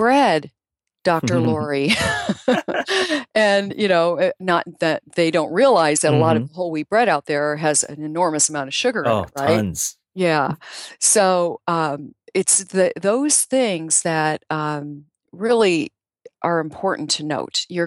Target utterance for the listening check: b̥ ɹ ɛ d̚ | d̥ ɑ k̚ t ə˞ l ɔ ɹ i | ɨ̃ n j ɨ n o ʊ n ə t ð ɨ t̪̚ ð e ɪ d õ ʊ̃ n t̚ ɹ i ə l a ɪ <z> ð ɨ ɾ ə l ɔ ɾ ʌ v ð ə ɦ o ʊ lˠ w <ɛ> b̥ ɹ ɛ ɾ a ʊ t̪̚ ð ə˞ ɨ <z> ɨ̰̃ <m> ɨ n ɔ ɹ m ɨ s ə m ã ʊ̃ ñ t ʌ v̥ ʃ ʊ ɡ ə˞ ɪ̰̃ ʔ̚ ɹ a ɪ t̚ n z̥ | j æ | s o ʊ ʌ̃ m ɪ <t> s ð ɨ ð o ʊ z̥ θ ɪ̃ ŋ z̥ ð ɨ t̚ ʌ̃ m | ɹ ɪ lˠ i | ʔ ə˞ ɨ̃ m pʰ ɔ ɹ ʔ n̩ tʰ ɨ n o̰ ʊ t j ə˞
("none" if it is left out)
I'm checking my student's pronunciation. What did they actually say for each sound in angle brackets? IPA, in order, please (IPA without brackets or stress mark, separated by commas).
z, i, z, n, t